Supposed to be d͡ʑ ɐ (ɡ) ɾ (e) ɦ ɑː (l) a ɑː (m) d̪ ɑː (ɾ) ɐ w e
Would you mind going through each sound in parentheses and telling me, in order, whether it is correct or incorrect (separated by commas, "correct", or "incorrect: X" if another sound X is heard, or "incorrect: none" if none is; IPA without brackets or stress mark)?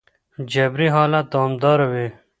incorrect: b, incorrect: i, correct, correct, correct